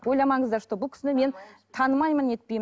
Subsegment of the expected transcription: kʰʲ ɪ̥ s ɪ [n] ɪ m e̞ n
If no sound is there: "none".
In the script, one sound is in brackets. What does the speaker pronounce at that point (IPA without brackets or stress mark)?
n